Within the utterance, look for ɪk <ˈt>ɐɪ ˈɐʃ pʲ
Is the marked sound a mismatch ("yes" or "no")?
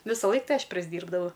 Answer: no